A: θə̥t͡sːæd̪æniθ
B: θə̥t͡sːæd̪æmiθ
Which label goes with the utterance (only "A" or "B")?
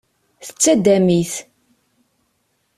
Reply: B